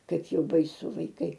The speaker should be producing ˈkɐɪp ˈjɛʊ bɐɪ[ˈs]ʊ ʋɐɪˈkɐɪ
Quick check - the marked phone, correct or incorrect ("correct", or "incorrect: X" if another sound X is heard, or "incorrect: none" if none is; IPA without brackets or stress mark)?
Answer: correct